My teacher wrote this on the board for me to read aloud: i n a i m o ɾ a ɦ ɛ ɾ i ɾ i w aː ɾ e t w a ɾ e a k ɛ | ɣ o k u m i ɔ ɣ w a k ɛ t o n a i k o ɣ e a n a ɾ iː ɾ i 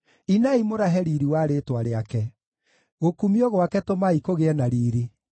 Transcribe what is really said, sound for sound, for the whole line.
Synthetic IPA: i n a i m o ɾ a ɦ ɛ ɾ i ɾ i w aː ɾ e t w a ɾ e a k ɛ | ɣ o k u m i ɔ ɣ w a k ɛ t o m a i k o ɣ e ɛ n a ɾ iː ɾ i